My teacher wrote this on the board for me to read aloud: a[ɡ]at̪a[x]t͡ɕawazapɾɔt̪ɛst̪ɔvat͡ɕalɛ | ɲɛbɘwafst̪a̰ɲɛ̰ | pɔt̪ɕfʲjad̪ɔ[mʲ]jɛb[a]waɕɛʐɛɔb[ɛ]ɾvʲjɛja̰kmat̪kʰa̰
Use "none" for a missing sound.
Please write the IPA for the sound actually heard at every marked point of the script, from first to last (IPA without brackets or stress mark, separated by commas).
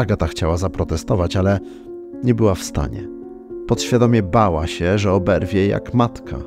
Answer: ɡ, x, mʲ, a, ɛ